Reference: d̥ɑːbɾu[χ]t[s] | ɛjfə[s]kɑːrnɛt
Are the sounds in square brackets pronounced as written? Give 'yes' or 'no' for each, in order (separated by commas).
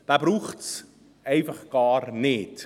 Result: yes, yes, no